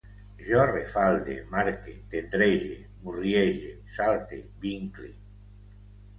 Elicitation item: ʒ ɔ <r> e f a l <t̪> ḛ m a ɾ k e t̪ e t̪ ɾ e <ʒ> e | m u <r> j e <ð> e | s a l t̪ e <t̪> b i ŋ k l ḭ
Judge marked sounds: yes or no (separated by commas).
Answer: yes, no, yes, yes, no, no